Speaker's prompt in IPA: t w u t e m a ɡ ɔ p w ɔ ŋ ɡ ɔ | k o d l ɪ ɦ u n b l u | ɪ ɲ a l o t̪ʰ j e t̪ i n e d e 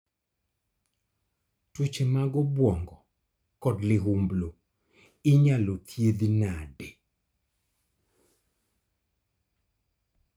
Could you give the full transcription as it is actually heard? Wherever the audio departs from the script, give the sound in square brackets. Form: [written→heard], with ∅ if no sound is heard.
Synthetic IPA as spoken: t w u [t→t͡ʃ] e m a ɡ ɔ [p→b] w ɔ ŋ ɡ ɔ | k [o→ɔ] d l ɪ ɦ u [n→m] b l [u→o] | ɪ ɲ a l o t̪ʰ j e [t̪→d̪] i n [e→a] d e